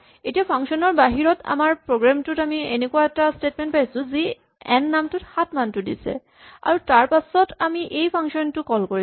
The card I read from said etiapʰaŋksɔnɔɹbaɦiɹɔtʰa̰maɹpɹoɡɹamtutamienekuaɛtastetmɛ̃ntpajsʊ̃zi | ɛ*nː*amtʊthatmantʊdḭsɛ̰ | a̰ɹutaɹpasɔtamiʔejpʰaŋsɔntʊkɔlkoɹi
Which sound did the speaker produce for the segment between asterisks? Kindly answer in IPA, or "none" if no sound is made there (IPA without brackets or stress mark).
nː